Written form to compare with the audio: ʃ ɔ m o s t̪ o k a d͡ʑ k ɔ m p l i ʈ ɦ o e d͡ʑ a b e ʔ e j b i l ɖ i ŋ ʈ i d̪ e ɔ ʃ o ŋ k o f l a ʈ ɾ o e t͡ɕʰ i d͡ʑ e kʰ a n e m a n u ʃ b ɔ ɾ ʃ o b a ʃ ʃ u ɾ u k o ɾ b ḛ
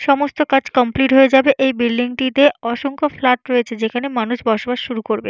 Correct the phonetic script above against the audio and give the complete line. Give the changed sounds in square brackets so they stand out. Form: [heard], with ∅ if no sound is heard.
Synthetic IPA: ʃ ɔ m o s t̪ o k a d͡ʑ k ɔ m p l i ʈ ɦ o e d͡ʑ a b e ʔ e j b i l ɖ i ŋ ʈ i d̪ e ɔ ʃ o ŋ k o f l a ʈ ɾ o e t͡ɕʰ [e] d͡ʑ e kʰ a n e m a n u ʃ b ɔ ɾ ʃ o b a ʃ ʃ u ɾ u k o ɾ b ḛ

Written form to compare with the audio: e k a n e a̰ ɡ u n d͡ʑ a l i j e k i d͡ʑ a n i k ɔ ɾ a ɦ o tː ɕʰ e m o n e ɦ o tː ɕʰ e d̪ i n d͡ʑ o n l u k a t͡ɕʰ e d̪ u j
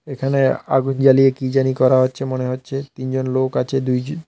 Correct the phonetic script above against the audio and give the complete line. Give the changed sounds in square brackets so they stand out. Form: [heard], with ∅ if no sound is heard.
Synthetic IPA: e [kʰ] a n e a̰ ɡ u n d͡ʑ a l i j e k i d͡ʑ a n i k ɔ ɾ a ɦ o tː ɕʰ e m o n e ɦ o tː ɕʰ e [t̪] i n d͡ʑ o n l [o] k a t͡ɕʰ e d̪ u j

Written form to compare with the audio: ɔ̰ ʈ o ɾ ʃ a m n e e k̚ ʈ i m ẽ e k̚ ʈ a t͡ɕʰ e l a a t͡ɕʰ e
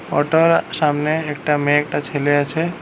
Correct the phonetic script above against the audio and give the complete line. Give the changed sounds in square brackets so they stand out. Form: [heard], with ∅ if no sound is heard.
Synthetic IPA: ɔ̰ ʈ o ɾ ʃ a m n e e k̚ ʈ [a] m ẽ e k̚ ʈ a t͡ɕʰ e l [e] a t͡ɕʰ e

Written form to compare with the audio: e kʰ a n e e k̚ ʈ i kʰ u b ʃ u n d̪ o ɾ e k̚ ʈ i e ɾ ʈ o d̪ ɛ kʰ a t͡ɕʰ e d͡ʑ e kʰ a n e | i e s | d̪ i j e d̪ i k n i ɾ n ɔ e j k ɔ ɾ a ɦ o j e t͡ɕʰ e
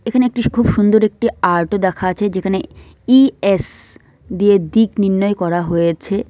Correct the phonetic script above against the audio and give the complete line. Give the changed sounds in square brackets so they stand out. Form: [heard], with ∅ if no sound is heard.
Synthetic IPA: e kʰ a n e e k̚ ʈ i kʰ u b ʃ u n d̪ o ɾ e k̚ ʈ i [a] ɾ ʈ o d̪ ɛ kʰ a t͡ɕʰ e d͡ʑ e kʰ a n e | i e s | d̪ i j e d̪ i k n i ɾ n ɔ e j k ɔ ɾ a ɦ o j e t͡ɕʰ e

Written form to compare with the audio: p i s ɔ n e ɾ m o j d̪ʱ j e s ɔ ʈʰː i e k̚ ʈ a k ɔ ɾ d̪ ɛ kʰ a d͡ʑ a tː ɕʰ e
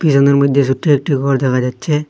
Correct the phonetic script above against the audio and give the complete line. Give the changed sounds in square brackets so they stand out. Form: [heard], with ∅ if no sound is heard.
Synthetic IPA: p i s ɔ n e ɾ m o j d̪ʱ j e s [u] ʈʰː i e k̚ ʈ [i] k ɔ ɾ d̪ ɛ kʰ a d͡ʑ a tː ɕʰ e

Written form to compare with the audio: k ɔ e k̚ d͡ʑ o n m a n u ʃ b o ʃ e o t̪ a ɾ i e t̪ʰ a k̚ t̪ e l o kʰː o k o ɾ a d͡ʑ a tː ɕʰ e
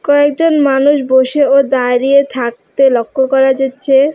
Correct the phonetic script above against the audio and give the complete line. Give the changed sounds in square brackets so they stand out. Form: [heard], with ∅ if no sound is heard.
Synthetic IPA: k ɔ e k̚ d͡ʑ o n m a n u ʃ b o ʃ e o [d̪] a ɾ i e t̪ʰ a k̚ t̪ e l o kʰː o k [ɔ] ɾ a d͡ʑ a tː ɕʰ e

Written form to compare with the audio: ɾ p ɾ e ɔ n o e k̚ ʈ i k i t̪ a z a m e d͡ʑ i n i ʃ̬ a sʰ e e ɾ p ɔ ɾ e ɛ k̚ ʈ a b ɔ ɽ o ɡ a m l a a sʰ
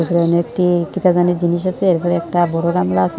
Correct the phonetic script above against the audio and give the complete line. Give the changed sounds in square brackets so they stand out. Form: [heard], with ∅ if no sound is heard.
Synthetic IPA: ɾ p ɾ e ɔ n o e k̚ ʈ i k i t̪ a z a [n] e d͡ʑ i n i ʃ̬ a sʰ e e ɾ p ɔ ɾ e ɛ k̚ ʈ a b ɔ ɽ o ɡ a m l a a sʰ

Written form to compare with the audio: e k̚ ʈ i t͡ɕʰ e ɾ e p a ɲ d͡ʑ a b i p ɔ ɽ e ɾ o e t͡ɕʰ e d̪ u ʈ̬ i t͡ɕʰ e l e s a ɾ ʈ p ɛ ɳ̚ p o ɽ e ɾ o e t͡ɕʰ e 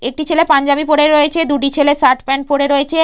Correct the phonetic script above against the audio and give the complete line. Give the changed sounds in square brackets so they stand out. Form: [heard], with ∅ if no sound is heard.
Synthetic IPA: e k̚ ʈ i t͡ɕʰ e [l] e p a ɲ d͡ʑ a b i p [o] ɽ e ɾ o e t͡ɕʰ e d̪ u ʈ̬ i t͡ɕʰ e l e s a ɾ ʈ p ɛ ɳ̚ p o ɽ e ɾ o e t͡ɕʰ e

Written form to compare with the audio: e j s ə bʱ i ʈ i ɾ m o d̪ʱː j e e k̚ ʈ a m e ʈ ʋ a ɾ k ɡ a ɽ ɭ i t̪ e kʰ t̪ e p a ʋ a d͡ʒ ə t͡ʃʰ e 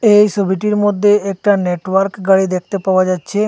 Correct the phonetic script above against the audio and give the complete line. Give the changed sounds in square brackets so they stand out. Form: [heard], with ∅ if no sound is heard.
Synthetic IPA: e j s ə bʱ i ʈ i ɾ m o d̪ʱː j e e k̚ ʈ a [n] e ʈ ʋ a ɾ k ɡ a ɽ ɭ i [d̪] e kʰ t̪ e p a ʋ a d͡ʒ [a] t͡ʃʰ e

